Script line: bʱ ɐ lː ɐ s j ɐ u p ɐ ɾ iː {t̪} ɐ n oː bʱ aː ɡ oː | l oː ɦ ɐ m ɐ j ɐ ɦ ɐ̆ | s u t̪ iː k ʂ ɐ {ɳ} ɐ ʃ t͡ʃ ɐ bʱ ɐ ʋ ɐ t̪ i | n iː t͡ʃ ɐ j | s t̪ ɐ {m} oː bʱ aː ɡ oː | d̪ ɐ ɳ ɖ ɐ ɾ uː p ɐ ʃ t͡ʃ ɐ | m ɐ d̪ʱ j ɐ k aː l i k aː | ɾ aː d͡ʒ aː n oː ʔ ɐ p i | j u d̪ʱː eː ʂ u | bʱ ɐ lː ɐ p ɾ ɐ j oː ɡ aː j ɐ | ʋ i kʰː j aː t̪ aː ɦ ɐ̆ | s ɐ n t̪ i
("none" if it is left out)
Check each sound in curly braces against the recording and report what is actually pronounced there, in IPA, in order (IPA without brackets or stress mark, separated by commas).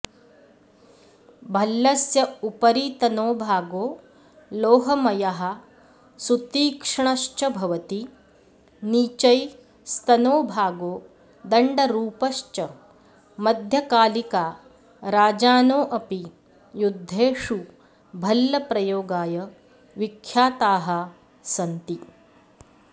t̪, ɳ, n